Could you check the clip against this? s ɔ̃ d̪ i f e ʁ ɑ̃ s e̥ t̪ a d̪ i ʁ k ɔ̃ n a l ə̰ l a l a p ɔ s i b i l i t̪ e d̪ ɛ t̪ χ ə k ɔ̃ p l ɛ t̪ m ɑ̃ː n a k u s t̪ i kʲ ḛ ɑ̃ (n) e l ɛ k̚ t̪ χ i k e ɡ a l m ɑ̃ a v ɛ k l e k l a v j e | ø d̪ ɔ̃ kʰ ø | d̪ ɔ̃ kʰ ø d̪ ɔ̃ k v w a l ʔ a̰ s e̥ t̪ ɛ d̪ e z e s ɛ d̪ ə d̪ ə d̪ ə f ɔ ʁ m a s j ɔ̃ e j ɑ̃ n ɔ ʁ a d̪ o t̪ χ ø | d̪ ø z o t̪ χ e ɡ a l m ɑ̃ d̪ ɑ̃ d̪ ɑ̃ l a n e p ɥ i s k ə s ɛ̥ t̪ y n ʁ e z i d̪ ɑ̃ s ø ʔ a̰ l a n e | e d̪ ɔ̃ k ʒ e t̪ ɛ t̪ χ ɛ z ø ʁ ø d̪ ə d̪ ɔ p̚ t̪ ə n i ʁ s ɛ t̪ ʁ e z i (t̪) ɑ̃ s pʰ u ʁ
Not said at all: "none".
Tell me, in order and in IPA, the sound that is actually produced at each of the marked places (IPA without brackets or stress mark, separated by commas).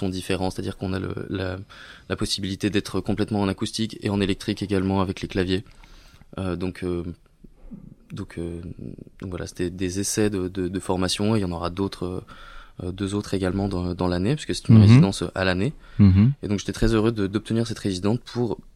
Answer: n, d̪